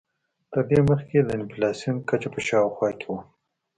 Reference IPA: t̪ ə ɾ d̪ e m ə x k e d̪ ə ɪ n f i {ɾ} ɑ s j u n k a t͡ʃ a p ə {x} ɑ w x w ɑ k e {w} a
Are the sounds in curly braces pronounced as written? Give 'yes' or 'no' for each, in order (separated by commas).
no, no, yes